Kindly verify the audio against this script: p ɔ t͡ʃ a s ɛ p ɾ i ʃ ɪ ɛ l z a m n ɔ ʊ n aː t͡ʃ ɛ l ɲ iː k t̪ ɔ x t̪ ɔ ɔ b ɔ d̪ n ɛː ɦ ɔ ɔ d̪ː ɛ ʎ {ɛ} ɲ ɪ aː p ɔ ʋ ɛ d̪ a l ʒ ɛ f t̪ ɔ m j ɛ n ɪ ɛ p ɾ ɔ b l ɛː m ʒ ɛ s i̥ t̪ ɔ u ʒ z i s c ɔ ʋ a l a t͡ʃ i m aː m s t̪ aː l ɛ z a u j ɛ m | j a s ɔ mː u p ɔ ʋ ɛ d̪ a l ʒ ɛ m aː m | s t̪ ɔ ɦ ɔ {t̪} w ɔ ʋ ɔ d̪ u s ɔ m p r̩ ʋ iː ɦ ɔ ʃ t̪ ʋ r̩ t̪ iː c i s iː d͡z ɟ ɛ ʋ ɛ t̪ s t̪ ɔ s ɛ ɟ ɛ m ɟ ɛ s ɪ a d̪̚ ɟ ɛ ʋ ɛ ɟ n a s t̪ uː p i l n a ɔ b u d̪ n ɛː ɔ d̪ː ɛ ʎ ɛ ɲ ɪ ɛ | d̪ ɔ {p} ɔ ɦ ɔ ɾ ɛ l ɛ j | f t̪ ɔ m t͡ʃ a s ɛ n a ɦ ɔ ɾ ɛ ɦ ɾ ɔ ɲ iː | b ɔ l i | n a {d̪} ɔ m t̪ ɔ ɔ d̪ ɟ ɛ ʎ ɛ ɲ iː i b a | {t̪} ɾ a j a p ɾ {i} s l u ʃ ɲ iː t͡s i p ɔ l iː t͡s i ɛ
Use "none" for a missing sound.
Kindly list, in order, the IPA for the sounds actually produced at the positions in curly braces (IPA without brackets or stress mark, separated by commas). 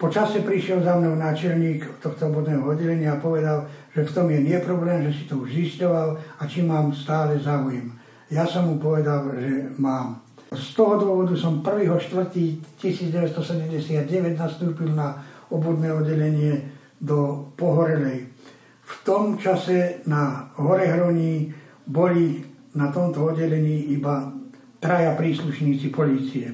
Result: ɛ, d̪, p, t̪, t̪, iː